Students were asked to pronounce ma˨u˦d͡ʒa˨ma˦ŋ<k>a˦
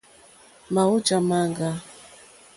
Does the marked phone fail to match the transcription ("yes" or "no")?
yes